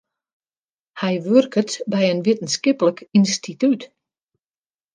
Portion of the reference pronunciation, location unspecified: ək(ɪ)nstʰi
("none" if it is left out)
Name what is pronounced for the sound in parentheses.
i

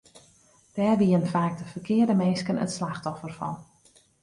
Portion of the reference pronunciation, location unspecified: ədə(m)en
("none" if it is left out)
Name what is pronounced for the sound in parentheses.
m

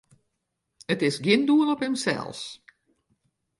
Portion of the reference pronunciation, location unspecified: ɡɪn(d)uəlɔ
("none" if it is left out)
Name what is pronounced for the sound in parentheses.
d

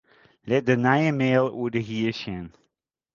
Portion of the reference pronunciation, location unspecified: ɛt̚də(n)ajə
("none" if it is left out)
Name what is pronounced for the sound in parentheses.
n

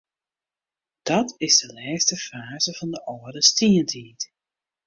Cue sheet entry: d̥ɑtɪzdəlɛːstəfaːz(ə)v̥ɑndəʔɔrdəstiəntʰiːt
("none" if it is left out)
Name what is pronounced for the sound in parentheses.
ə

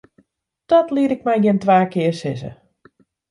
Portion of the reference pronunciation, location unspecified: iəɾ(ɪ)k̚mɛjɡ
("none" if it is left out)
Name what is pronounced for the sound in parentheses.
ɪ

